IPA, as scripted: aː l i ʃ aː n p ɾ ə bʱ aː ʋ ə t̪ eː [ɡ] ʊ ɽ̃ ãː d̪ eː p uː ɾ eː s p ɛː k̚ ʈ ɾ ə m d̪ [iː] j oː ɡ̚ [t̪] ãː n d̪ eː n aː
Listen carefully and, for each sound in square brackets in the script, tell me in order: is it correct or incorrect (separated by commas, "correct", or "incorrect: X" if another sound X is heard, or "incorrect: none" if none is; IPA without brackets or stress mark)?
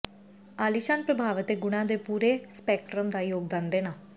correct, incorrect: aː, incorrect: d̪